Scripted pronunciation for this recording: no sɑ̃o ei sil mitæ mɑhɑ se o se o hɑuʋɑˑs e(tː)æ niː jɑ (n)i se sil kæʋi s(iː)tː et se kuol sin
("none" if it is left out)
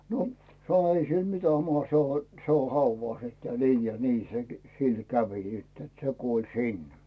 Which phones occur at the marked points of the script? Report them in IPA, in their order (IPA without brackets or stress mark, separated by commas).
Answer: tː, n, i